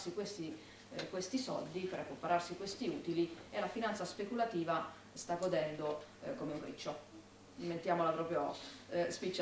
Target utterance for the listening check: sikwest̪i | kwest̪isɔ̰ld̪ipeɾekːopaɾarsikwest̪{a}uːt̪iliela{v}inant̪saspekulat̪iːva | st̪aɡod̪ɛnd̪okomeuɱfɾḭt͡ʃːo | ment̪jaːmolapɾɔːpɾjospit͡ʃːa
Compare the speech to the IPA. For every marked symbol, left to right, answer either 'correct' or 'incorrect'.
incorrect, incorrect

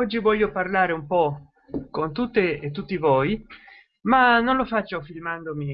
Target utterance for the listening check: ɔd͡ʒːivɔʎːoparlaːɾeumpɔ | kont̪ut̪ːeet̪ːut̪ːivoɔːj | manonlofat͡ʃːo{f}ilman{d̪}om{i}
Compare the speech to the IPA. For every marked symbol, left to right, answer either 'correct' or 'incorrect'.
correct, correct, correct

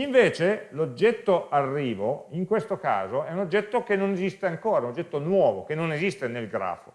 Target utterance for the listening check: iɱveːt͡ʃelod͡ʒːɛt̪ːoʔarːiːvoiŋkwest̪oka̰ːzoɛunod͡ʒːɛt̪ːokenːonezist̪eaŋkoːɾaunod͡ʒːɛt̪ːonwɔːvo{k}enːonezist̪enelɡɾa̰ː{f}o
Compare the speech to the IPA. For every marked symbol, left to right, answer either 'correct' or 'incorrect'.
correct, correct

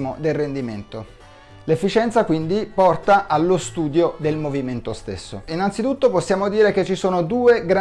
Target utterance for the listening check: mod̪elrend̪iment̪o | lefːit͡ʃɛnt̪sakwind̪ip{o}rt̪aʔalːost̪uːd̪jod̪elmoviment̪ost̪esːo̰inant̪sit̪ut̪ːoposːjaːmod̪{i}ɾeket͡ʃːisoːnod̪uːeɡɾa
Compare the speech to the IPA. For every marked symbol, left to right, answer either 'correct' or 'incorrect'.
incorrect, incorrect

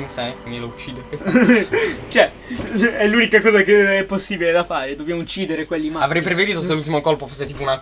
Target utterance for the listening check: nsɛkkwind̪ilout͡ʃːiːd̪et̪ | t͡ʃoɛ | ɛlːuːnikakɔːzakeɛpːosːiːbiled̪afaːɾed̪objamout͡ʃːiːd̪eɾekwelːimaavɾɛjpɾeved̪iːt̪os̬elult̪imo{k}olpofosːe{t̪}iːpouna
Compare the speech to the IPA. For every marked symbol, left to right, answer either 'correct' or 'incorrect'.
correct, correct

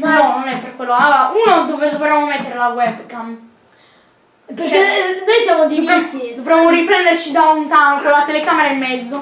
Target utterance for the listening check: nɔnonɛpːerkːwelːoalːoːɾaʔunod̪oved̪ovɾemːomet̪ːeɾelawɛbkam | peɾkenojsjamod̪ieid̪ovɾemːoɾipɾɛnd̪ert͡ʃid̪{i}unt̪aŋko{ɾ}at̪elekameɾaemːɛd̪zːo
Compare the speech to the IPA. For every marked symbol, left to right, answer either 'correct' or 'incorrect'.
incorrect, incorrect

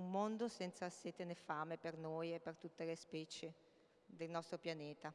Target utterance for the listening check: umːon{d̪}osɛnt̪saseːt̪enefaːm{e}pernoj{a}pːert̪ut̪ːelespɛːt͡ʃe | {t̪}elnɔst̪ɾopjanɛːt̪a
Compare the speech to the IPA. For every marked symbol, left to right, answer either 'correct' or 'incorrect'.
correct, correct, incorrect, incorrect

